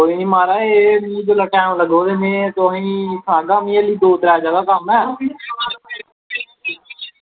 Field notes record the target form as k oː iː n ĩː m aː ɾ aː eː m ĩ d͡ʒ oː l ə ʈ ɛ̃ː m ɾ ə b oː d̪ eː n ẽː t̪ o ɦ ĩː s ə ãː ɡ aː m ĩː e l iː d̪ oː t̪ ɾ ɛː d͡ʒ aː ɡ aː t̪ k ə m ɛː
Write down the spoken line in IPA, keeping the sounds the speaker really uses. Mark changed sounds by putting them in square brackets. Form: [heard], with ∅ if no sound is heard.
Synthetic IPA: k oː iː n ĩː m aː ɾ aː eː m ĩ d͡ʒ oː l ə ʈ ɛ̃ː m [l] ə [ɡ] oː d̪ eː n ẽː t̪ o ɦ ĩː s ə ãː ɡ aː m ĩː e l iː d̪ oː t̪ ɾ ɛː d͡ʒ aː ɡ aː [∅] k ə m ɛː